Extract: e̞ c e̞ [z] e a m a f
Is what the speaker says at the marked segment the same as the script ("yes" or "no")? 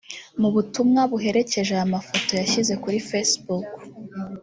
no